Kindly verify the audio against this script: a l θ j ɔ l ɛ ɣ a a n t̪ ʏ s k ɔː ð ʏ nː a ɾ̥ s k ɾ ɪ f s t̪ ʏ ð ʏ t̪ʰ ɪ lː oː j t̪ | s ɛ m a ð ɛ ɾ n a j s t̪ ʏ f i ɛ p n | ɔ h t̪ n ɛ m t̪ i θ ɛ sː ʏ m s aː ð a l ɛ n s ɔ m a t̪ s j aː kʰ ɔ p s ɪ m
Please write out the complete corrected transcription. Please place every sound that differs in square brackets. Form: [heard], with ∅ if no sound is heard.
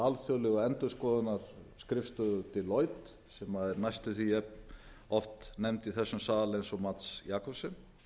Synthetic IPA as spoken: a l θ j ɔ l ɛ ɣ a [ɛ] n t̪ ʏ s k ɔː ð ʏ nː a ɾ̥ s k ɾ ɪ f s t̪ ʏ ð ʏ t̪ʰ ɪ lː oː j t̪ | s ɛ m a ð ɛ ɾ n a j s t̪ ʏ [θ] i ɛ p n | ɔ [f] t̪ n ɛ m t̪ i θ ɛ sː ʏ m s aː ð a l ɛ n s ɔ m a t̪ s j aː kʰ ɔ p s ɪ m

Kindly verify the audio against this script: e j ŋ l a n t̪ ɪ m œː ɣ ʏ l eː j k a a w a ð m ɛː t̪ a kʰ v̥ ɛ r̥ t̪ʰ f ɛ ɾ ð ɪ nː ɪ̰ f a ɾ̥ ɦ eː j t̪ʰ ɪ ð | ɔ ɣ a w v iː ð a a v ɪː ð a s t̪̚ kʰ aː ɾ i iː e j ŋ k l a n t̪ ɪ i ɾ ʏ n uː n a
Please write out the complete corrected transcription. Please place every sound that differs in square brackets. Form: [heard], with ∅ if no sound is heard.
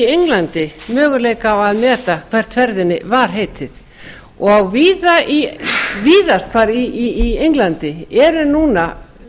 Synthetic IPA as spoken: e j ŋ l a n t̪ ɪ m œː ɣ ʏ l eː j k a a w a ð m ɛː t̪ a kʰ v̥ ɛ r̥ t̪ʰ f ɛ ɾ ð ɪ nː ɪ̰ [v] a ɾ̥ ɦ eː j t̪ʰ ɪ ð | ɔ ɣ a w v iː ð a [i] v [iː] ð a s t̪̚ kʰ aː ɾ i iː e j ŋ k l a n t̪ ɪ [ɛ] ɾ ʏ n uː n a

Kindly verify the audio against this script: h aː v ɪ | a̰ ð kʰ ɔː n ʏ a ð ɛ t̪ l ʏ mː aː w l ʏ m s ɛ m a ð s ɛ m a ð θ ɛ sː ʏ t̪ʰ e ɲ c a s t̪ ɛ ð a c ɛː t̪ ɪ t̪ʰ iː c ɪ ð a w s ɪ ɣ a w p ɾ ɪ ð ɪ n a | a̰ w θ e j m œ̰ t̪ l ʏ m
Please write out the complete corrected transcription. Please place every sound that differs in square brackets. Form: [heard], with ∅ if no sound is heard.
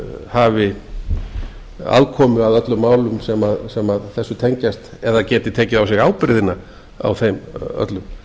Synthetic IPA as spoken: h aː v ɪ | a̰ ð kʰ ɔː [m] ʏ a ð [œ] t̪ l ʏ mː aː w l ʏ m s ɛ m a ð s ɛ m a ð θ ɛ sː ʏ t̪ʰ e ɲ c a s t̪ ɛ ð a c ɛː t̪ ɪ t̪ʰ [ɛː] c ɪ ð a w s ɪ ɣ a w p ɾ ɪ ð ɪ n a | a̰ w θ e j m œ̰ t̪ l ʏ m

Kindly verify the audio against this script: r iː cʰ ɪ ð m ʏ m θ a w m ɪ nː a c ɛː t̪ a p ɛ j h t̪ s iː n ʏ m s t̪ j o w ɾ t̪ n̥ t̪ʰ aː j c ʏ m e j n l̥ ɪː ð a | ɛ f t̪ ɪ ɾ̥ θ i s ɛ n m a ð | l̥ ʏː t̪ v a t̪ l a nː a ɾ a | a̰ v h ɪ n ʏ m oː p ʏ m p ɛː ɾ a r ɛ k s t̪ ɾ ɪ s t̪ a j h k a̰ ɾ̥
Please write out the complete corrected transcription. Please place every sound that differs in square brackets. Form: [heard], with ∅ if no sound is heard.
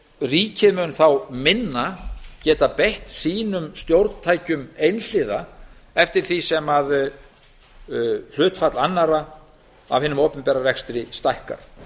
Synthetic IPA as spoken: r iː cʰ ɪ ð m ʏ [n] θ a w m ɪ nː a c ɛː t̪ a p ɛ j h t̪ s iː n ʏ m s t̪ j o w ɾ t̪ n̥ t̪ʰ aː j c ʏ m e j n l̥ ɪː ð a | ɛ f t̪ ɪ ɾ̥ θ i s ɛ [∅] m a ð | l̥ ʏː t̪ [f] a t̪ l a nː a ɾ a | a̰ v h ɪ n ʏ m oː p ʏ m p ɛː ɾ a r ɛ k s t̪ ɾ ɪ s t̪ a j h k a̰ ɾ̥

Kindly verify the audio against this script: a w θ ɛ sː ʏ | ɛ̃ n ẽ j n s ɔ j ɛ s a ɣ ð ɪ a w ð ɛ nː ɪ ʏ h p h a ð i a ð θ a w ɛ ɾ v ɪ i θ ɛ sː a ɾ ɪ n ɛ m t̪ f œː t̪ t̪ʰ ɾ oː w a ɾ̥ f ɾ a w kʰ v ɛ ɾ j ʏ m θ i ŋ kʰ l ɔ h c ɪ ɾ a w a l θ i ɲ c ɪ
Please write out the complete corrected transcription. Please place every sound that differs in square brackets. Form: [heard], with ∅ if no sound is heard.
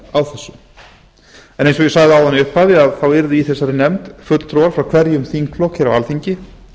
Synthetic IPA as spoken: a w θ ɛ sː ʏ | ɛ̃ n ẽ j n s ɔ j ɛ s a ɣ ð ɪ a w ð [a] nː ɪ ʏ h p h a ð [ɪ] a ð θ a w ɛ ɾ [ð] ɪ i θ ɛ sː a ɾ ɪ n ɛ m t̪ f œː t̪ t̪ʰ ɾ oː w a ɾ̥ f ɾ a w kʰ v ɛ ɾ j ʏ m θ i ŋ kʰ l ɔ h c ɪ ɾ a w a l θ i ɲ c ɪ

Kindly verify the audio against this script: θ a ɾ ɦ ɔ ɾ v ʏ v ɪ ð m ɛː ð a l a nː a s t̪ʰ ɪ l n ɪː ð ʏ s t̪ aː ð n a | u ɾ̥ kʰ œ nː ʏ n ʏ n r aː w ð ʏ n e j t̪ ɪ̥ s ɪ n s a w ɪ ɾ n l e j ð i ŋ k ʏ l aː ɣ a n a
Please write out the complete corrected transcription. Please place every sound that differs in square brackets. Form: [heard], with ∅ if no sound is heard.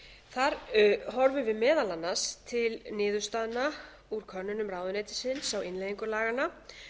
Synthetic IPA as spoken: θ a ɾ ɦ ɔ ɾ v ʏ v ɪ ð m ɛː ð a l a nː a s t̪ʰ ɪ l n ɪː ð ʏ s t̪ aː ð n a | u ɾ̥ kʰ œ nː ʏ n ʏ [m] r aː w ð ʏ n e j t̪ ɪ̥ s ɪ n s a w ɪ [∅] n l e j ð i ŋ k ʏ l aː ɣ a n a

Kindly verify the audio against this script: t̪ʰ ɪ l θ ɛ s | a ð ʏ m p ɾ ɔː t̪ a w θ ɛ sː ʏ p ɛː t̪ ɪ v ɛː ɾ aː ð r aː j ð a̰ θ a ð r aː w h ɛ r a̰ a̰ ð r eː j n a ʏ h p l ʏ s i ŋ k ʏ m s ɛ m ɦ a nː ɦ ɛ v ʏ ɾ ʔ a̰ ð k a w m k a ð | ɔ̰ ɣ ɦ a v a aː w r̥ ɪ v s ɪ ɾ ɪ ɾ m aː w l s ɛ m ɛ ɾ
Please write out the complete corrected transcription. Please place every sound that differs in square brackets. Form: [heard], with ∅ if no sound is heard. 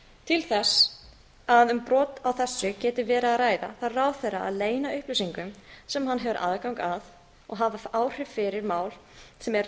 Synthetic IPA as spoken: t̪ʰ ɪ l θ ɛ s | a ð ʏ m p ɾ ɔː t̪ a w θ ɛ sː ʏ [c] ɛː t̪ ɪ v ɛː ɾ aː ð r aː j ð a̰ θ a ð r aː w [θ] ɛ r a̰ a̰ ð [l] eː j n a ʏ h p l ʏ s i ŋ k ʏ m s ɛ m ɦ a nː ɦ ɛ v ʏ ɾ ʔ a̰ ð k a w [ŋ] k a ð | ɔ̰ ɣ ɦ a v a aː w r̥ ɪ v [f] ɪ ɾ ɪ ɾ m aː w l s ɛ m ɛ ɾ

